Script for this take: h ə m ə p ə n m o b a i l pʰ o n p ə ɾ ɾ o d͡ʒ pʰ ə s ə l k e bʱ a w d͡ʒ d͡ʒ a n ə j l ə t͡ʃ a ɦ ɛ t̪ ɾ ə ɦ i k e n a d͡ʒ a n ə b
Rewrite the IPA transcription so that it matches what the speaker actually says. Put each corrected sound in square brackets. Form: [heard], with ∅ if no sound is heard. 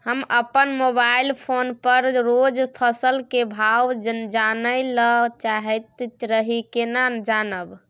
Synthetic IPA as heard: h ə m ə p ə n m o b a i l pʰ o n p ə ɾ ɾ o d͡ʒ pʰ ə s ə l k e bʱ a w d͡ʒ d͡ʒ a n ə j l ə t͡ʃ a ɦ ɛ t̪ ɾ ə ɦ i k e n a d͡ʒ a n ə b